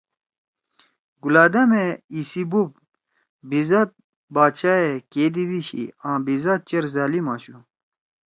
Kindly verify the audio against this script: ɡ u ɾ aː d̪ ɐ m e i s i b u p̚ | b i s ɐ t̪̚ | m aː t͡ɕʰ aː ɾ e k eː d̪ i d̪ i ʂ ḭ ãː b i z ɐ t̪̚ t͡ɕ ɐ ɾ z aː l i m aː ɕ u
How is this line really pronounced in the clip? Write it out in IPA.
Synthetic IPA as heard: ɡ u l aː d̪ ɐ m e i s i b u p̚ | b i z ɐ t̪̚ | b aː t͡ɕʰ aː e k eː d̪ i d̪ i ɕ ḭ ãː b i z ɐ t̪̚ t͡ɕ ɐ ɾ z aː l i m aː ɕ u